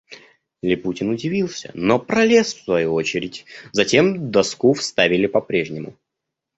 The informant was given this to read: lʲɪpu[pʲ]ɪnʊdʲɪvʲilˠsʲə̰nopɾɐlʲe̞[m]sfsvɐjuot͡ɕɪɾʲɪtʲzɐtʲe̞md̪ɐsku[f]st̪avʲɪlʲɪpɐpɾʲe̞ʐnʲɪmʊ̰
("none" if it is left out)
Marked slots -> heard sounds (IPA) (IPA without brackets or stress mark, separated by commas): tʲ, none, f